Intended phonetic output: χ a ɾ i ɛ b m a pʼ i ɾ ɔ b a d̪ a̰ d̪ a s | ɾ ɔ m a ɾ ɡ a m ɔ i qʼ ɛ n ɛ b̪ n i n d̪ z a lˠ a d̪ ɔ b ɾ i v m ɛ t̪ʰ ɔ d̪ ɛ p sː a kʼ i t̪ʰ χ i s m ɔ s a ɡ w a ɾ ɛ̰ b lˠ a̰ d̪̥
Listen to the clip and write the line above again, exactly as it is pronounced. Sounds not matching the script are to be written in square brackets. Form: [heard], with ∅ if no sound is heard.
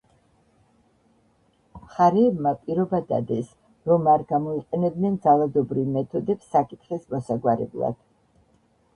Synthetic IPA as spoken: χ a ɾ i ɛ b m a pʼ i ɾ ɔ b a d̪ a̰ d̪ [ɛ] s | ɾ ɔ m a ɾ ɡ a m ɔ i qʼ ɛ n ɛ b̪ n [ɛ] n d̪ z a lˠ a d̪ ɔ b ɾ i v m ɛ t̪ʰ ɔ d̪ ɛ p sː a kʼ i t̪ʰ χ i s m ɔ s a ɡ w a ɾ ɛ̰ b lˠ a̰ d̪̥